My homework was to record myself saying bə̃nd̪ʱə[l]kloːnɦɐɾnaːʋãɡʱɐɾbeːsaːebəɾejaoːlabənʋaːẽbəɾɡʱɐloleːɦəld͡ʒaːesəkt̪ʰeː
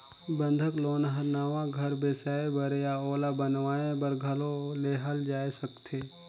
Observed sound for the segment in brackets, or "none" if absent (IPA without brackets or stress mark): none